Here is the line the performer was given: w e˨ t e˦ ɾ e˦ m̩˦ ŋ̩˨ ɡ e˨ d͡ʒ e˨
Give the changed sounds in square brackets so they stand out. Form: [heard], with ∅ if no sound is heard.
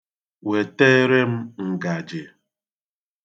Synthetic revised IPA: w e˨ t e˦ ɾ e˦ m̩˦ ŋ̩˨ ɡ [a˨] d͡ʒ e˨